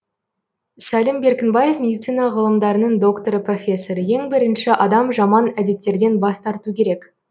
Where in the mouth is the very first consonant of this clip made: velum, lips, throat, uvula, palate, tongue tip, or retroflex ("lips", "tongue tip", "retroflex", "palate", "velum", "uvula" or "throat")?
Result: tongue tip